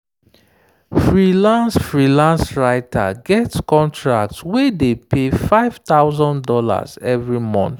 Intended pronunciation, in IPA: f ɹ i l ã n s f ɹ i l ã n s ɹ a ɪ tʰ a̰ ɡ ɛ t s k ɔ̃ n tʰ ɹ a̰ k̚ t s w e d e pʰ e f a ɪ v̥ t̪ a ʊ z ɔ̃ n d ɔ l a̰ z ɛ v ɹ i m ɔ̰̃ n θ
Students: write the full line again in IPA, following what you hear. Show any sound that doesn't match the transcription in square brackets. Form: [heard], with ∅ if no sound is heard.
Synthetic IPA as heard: f ɹ i l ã n s f ɹ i l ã n s ɹ a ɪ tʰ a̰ ɡ ɛ t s k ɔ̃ n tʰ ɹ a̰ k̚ t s w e d e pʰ e f a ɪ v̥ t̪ a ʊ z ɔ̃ n d ɔ l a̰ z ɛ v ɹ i m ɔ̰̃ n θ